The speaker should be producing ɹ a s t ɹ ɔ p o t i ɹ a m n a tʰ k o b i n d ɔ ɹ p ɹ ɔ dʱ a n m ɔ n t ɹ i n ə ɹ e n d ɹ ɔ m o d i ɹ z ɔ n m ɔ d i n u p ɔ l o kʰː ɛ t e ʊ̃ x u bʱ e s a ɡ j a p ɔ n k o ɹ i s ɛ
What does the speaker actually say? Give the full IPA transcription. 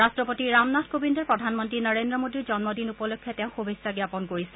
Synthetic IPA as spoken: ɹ a s t ɹ ɔ p o t i ɹ a m n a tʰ k o b i n d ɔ ɹ p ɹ ɔ dʱ a n m ɔ n t ɹ i n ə ɹ e n d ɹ ɔ m o d i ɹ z ɔ n m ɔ d i n u p ɔ l o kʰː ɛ t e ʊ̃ x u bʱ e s a ɡ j a p ɔ n k o ɹ i s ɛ